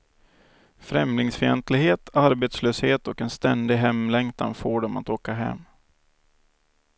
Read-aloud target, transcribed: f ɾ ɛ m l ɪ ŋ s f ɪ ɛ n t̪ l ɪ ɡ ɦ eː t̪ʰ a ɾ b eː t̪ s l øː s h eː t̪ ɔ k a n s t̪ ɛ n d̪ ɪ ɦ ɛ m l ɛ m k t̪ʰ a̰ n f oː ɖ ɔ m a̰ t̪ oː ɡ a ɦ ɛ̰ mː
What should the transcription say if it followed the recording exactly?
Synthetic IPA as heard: f ɾ ɛ m l ɪ ŋ s f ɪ ɛ n t̪ l ɪ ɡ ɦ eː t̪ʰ a ɾ b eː t̪ s l øː s h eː t̪ ɔ k ɛ n s t̪ ɛ n d̪ ɪ ɦ ɛ m l ɛ ŋ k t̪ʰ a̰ n f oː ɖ ɔ m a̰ t̪ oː k a ɦ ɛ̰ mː

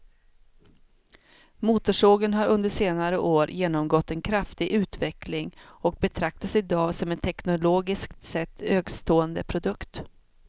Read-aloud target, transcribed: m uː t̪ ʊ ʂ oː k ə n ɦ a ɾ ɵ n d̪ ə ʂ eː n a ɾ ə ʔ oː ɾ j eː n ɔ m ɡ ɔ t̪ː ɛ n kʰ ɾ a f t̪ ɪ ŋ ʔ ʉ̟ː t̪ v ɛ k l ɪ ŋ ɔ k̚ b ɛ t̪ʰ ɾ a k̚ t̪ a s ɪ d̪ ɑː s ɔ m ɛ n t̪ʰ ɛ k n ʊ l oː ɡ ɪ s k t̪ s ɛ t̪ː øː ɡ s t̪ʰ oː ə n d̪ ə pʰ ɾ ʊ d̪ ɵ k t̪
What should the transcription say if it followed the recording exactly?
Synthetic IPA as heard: m uː t̪ ʊ ʂ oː ɡ ə n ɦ a ɾ ɵ n d̪ ə ʂ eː n a ɾ ə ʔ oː ɾ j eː n ɔ m ɡ ɔ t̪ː ɛ n kʰ ɾ a f t̪ ɪ ɡ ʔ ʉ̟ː t̪ v ɛ k l ɪ ŋ ɔ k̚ b ɛ t̪ʰ ɾ a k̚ t̪ a s ɪ d̪ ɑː s ɔ m ɛ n t̪ʰ ɛ k n ʊ l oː ɡ ɪ s k t̪ s ɛ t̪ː øː ɡ s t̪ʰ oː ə n d̪ ə pʰ ɾ ʊ d̪ ɵ k t̪

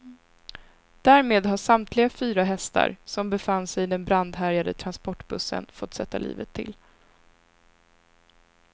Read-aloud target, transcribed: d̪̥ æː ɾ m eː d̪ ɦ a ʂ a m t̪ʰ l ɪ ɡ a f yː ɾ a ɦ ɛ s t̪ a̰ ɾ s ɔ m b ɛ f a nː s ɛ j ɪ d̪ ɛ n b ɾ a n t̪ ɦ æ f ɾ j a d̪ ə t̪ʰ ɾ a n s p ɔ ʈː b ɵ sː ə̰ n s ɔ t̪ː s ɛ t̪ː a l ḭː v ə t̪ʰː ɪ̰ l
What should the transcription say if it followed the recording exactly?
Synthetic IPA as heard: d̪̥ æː ɾ m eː d̪ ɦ a ʂ a m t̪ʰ l ɪ ɡ a f yː ɾ a ɦ ɛ s t̪ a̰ ɾ s ɔ m b ɛ f a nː s ɛ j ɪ d̪ ɛ n b ɾ a n d̪ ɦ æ ɾ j a d̪ ə t̪ʰ ɾ a n s p ɔ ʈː b ɵ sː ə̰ n f ɔ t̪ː s ɛ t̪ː a l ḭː v ə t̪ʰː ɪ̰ l

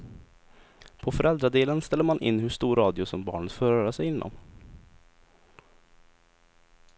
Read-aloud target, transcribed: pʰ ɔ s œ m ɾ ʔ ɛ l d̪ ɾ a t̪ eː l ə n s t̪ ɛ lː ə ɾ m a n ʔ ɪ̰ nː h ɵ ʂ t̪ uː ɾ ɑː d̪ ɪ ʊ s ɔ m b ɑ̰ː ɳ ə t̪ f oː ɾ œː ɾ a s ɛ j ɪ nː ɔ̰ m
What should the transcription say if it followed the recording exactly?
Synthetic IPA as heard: pʰ ɔ f œ ɾ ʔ ɛ l d̪ ɾ a d̪ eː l ə n s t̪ ɛ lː ə ɾ m a n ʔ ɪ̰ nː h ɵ ʂ t̪ uː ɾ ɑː d̪ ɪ ʊ s ɔ m b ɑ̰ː ɳ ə t̪ f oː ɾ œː ɾ a s ɛ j ɪ nː ɔ̰ m

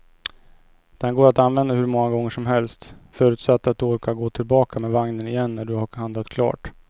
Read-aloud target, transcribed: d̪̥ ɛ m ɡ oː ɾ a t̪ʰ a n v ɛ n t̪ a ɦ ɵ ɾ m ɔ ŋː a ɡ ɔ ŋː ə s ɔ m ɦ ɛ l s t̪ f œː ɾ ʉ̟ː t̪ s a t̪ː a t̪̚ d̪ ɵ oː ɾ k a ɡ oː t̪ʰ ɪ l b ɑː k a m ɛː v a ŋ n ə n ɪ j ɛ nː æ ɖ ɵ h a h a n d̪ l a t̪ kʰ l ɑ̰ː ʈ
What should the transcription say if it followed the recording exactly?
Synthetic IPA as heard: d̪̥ ɛ n ɡ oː ɾ a t̪ a n v ɛ n d̪ a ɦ ɵ ɾ m ɔ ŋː a ɡ ɔ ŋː ə ʂ ɔ m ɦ ɛ l s t̪ f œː ɾ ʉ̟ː t̪ s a t̪ː a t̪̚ d̪ ɵ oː ɾ k a ɡ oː t̪ʰ ɪ l b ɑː k a m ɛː v a ŋ n ə n ɪ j ɛ nː æ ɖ ɵ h a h a n d̪ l a t̪ kʰ l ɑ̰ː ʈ

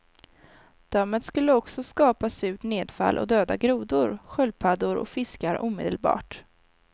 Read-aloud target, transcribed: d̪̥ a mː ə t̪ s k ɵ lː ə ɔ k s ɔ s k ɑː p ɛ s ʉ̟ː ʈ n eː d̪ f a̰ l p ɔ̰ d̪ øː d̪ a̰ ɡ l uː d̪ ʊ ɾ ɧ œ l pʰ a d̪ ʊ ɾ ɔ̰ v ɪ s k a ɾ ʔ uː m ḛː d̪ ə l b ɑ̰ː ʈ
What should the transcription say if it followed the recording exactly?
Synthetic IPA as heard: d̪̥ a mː ə t̪ s k ɵ lː ə ɔ k s ɔ s k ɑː p a s ʉ̟ː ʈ n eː d̪ f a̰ l ʔ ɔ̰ d̪ øː d̪ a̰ ɡ ɾ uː d̪ ʊ ɾ ɧ œ l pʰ a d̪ ʊ ɾ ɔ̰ f ɪ s k a ɾ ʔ uː m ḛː d̪ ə l b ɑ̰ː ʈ

